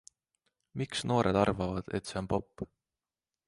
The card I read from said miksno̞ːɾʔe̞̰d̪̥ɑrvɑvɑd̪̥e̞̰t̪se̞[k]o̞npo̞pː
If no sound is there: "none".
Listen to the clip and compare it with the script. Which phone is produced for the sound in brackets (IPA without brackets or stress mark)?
none